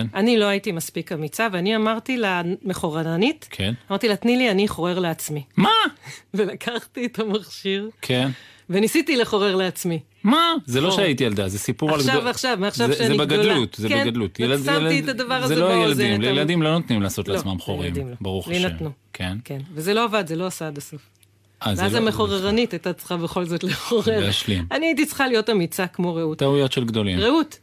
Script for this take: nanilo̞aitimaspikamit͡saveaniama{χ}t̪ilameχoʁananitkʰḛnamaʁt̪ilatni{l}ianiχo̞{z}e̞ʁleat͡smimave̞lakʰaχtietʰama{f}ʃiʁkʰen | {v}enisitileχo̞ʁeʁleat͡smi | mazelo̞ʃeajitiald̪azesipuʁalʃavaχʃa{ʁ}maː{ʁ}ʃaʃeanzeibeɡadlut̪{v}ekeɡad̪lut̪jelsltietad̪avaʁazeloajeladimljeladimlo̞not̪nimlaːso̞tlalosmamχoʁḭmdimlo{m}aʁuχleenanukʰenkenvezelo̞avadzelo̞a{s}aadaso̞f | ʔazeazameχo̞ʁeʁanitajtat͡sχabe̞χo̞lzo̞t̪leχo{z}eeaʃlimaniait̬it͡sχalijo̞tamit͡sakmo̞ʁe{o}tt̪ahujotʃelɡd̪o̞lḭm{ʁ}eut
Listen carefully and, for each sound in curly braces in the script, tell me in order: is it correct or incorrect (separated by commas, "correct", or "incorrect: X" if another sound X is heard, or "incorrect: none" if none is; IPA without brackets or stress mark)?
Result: incorrect: ʁ, correct, incorrect: ʁ, incorrect: χ, correct, incorrect: v, incorrect: χ, incorrect: z, incorrect: b, correct, incorrect: ʁ, incorrect: u, correct